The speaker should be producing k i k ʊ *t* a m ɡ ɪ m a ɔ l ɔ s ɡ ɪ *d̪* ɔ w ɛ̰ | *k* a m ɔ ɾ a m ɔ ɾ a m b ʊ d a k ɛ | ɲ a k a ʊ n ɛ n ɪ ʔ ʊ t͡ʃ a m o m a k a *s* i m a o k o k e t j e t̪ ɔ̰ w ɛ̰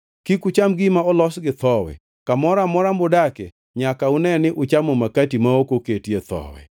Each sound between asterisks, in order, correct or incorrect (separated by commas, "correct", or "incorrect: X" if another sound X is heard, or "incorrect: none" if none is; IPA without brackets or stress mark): incorrect: t͡ʃ, incorrect: t̪, correct, incorrect: t